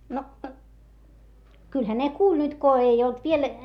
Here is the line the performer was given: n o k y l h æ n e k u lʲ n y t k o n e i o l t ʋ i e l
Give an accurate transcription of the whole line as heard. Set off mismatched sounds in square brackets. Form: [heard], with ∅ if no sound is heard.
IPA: n o k y l h æ n e k [uː] lʲ n y t k o [∅] e i o l t ʋ i e l